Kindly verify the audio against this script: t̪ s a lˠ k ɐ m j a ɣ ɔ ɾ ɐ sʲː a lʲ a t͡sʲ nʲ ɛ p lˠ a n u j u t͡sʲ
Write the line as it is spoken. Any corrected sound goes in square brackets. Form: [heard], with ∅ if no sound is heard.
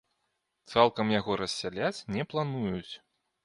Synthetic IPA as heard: t̪ s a lˠ k ɐ m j a ɣ ɔ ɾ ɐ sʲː a lʲ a t͡sʲ nʲ ɛ p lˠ a n u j u t͡sʲ